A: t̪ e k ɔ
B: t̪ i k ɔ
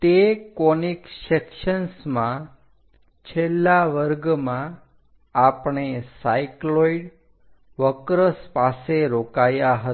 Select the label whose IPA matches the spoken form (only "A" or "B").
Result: A